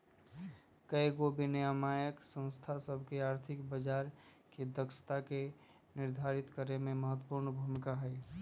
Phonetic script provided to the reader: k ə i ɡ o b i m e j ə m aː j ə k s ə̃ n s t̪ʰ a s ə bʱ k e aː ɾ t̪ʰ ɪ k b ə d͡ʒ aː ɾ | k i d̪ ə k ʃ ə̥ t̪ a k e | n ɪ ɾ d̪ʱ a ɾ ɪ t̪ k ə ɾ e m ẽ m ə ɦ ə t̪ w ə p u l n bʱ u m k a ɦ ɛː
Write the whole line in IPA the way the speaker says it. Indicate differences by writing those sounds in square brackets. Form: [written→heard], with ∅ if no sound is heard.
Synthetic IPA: k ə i ɡ o b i [m→n] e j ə m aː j ə k s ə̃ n s t̪ʰ a s ə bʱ k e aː ɾ t̪ʰ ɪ k b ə d͡ʒ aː ɾ | k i d̪ ə k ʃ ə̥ t̪ a k e | n ɪ ɾ d̪ʱ a ɾ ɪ t̪ k ə ɾ e m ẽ m ə ɦ ə t̪ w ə p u [l→ɾ] n bʱ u m k a ɦ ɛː

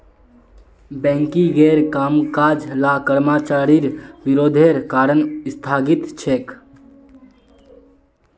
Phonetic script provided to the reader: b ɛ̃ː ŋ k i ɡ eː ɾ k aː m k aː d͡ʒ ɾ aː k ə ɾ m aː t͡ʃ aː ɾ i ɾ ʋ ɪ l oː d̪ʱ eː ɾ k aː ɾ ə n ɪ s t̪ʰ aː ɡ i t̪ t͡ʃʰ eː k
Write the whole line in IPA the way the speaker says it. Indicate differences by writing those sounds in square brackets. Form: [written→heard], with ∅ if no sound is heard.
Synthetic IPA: b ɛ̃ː ŋ k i ɡ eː ɾ k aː m k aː d͡ʒ [ɾ→l] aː k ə ɾ m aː t͡ʃ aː ɾ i ɾ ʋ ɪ [l→ɾ] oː d̪ʱ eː ɾ k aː ɾ ə n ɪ s t̪ʰ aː ɡ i t̪ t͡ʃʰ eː k

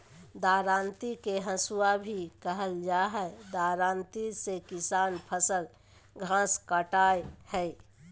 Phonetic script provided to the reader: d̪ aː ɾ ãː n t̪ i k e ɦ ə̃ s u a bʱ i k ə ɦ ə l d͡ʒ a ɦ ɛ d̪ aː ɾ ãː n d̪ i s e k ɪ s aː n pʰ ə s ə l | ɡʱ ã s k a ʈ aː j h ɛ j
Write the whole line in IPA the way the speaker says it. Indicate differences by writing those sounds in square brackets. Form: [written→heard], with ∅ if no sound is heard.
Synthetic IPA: d̪ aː ɾ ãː n t̪ i k e ɦ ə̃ s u a bʱ i k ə ɦ ə l d͡ʒ a ɦ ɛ d̪ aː ɾ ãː n [d̪→t̪] i s e k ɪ s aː n pʰ ə s ə l | ɡʱ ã s k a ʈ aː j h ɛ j

